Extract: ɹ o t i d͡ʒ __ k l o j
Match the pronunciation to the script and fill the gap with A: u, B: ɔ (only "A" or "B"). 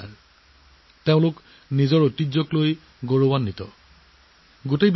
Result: B